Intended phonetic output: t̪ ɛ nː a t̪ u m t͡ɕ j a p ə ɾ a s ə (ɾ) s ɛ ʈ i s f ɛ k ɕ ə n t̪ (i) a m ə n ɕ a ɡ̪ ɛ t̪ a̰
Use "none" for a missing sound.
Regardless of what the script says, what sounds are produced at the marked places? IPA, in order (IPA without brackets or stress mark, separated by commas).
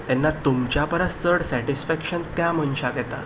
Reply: ɽ, j